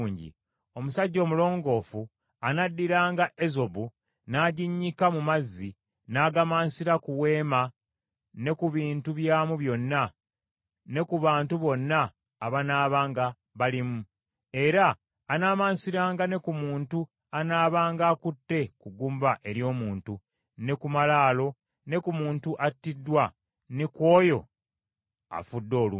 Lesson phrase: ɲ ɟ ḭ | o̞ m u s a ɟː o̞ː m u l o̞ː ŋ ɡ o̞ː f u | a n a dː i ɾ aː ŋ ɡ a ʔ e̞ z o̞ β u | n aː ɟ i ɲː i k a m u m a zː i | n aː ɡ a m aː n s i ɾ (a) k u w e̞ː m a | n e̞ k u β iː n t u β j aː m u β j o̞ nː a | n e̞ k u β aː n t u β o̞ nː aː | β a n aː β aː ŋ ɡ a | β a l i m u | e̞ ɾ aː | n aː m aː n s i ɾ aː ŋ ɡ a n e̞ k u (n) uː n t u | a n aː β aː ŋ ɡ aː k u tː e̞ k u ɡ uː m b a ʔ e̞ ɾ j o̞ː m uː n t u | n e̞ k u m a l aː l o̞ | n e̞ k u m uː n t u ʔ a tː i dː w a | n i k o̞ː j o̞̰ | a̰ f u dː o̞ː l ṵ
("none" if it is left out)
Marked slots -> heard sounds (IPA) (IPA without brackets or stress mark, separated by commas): a, m